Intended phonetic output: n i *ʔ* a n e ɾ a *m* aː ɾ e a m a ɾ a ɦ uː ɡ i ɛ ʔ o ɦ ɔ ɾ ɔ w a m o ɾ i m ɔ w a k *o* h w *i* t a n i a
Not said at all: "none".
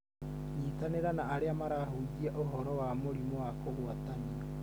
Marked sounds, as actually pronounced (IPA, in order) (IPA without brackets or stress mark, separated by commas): t, n, o, a